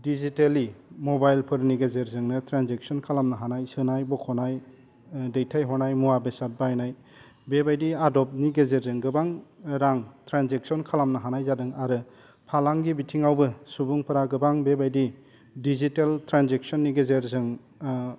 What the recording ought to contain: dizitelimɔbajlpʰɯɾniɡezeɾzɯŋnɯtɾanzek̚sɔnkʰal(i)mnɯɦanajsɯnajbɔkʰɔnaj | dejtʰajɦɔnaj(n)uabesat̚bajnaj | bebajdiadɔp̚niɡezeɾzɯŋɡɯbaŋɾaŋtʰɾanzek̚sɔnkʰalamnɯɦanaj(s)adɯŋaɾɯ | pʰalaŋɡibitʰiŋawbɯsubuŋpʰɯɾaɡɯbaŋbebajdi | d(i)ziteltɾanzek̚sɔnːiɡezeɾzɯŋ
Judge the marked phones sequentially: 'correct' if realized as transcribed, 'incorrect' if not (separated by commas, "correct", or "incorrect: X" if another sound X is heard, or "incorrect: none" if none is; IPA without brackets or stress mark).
incorrect: a, incorrect: m, incorrect: z, correct